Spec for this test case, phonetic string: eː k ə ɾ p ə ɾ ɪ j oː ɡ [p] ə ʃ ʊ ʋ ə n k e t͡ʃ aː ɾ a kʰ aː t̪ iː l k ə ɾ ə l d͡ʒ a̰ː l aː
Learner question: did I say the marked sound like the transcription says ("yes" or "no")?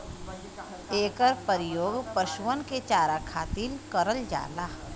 yes